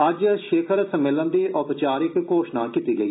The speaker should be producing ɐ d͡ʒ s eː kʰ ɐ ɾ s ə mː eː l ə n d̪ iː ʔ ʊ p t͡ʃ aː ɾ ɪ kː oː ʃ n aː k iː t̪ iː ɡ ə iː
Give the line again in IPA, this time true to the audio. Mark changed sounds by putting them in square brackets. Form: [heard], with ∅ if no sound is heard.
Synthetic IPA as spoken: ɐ d͡ʒ [ʃ] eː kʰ [ə] ɾ s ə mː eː l ə n d̪ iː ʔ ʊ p t͡ʃ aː ɾ ɪ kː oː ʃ n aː k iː t̪ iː ɡ ə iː